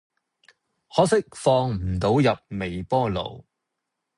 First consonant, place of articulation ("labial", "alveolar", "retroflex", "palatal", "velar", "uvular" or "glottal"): glottal